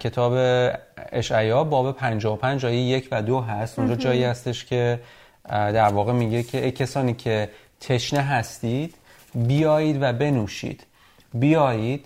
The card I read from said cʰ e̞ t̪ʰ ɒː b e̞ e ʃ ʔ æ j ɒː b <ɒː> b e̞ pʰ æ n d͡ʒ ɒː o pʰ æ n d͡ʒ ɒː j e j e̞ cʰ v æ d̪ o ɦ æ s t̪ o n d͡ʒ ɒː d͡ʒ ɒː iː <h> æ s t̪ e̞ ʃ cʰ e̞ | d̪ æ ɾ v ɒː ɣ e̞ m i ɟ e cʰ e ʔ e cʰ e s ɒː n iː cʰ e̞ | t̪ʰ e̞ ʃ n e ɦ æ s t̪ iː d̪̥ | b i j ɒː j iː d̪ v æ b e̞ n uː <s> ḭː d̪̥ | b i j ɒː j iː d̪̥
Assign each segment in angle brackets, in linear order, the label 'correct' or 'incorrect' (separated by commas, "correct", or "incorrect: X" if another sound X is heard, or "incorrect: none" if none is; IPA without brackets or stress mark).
correct, correct, incorrect: ʃ